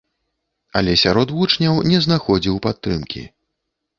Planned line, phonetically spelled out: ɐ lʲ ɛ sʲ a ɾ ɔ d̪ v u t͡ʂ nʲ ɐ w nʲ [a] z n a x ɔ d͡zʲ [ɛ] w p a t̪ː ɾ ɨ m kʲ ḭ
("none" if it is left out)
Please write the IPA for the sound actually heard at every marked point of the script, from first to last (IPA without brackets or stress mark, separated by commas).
ɛ, i